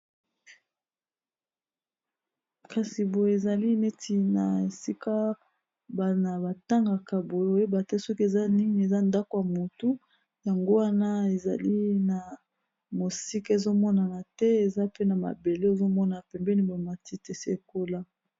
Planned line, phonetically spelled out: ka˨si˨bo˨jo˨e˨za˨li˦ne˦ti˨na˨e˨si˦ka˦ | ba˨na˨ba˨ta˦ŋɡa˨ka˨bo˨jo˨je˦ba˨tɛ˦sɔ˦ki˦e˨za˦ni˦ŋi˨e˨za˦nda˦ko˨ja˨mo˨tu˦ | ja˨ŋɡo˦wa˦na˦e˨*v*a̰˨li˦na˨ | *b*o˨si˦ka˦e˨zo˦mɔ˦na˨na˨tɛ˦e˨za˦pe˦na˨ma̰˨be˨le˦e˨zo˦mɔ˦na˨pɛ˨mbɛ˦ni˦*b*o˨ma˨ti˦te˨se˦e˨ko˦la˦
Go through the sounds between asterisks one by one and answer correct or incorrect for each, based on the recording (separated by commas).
incorrect, incorrect, correct